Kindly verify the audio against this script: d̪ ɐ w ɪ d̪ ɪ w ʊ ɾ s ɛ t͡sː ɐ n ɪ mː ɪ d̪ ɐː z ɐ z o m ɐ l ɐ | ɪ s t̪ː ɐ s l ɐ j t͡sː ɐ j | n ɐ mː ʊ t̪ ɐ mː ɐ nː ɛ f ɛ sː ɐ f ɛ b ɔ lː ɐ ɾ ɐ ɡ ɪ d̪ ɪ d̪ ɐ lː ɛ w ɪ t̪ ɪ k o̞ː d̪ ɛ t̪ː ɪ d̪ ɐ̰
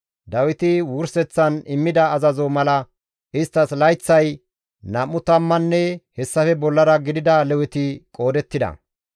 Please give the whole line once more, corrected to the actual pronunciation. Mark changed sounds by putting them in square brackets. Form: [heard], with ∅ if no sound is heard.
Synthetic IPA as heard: d̪ ɐ w ɪ [t̪] ɪ w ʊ ɾ s ɛ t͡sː ɐ n ɪ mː ɪ d̪ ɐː z ɐ z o m ɐ l ɐ | ɪ s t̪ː ɐ s l ɐ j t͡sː ɐ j | n ɐ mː ʊ t̪ ɐ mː ɐ nː ɛ [h] ɛ sː ɐ f ɛ b ɔ lː ɐ ɾ ɐ ɡ ɪ d̪ ɪ d̪ ɐ [l] ɛ w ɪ t̪ ɪ [kʼ] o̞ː d̪ ɛ t̪ː ɪ d̪ ɐ̰